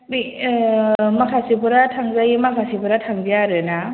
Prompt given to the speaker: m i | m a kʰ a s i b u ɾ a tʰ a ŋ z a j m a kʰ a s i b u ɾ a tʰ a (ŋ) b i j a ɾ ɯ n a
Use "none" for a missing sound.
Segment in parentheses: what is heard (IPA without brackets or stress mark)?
ŋ